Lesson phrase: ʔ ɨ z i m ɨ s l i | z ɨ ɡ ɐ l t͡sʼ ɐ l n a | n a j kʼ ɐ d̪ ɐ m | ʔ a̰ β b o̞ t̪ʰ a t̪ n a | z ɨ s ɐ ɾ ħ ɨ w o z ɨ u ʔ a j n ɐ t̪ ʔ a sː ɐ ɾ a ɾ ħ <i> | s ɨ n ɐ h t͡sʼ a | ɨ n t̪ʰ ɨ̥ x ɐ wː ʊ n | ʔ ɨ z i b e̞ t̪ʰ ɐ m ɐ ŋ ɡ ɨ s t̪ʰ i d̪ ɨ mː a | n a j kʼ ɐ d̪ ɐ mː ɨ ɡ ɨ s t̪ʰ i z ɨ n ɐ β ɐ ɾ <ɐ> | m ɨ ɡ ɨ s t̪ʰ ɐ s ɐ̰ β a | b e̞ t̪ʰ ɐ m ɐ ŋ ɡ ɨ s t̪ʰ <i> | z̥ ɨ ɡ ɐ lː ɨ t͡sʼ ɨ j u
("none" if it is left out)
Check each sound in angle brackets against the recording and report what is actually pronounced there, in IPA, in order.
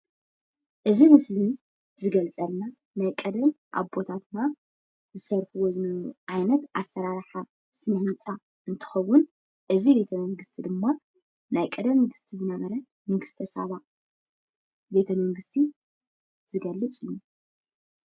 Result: a, ɐ, i

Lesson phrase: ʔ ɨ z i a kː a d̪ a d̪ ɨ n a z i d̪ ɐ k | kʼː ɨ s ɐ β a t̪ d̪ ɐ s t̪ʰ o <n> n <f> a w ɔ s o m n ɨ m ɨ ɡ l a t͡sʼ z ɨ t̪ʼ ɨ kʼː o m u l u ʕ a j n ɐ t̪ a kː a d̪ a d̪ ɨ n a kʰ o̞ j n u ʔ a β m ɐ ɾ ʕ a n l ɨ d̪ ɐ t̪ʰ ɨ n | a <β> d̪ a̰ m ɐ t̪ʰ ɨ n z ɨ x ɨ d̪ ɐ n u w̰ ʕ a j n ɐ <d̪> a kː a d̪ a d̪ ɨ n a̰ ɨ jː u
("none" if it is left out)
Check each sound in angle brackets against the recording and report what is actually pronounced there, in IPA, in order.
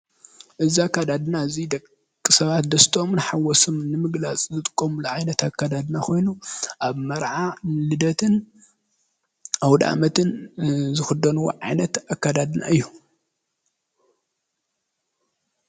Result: m, ħ, w, t̪

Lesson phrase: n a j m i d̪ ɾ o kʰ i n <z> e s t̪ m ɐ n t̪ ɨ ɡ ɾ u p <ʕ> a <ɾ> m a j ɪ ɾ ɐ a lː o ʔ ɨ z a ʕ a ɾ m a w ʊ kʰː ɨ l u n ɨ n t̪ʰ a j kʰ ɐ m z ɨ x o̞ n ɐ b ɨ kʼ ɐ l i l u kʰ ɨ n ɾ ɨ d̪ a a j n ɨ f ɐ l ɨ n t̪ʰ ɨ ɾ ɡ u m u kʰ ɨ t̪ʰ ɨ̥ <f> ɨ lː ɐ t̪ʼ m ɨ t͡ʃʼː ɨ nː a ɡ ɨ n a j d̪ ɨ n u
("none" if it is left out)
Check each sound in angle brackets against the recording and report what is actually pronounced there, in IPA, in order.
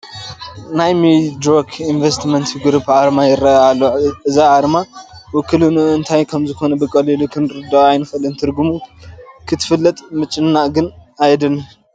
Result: v, ʕ, ɾ, f

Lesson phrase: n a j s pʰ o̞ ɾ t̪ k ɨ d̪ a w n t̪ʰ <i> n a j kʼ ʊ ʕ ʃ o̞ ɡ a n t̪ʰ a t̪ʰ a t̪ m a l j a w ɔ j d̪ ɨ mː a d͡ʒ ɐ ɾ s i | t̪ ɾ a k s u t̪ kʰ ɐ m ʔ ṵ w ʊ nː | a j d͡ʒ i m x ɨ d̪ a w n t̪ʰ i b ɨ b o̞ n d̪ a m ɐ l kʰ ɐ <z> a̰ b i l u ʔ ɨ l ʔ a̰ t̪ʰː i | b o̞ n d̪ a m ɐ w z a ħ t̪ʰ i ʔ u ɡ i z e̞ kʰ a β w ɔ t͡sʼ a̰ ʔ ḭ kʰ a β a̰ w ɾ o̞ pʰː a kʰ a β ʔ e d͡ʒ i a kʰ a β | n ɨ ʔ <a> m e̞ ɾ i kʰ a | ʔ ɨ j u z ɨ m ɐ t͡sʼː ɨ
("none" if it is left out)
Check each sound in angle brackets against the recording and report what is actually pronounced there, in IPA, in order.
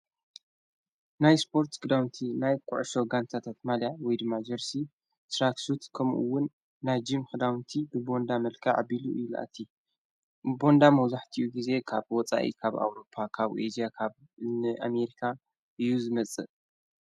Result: i, ʕ, a

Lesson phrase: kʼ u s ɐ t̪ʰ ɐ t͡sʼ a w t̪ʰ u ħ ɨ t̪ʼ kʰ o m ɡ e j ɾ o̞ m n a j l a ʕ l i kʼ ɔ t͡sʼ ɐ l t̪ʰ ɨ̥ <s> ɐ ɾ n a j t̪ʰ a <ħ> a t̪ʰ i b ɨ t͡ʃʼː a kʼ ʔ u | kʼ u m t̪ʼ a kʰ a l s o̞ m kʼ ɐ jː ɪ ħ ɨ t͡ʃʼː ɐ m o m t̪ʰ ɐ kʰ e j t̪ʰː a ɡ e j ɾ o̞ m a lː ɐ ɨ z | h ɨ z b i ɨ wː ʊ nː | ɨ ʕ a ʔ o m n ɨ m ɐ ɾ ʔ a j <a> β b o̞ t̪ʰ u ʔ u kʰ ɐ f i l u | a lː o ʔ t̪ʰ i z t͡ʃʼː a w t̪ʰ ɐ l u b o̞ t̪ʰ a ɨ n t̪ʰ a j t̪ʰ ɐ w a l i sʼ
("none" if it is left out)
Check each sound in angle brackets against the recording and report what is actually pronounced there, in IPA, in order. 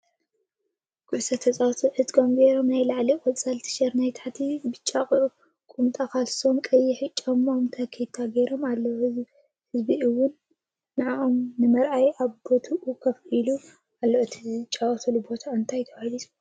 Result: ʃ, ħ, a

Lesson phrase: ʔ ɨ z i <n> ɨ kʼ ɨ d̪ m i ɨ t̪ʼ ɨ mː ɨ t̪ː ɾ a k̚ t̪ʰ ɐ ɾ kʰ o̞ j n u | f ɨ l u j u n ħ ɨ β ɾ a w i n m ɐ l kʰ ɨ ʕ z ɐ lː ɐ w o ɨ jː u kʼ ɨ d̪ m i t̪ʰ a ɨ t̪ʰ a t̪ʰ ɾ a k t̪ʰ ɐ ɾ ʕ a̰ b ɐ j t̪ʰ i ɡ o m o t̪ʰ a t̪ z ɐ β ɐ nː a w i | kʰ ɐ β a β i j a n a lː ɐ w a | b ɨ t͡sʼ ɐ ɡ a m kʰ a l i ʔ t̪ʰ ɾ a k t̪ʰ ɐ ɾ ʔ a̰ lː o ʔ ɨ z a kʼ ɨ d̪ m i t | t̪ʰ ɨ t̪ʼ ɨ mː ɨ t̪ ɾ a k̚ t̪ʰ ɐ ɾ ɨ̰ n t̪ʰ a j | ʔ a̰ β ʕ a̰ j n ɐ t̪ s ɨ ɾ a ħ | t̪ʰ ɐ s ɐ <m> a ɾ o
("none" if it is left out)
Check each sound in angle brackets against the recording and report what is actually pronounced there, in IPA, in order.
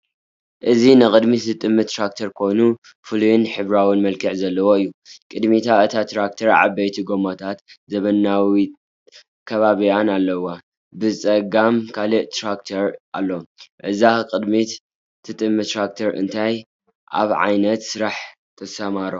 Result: n, m

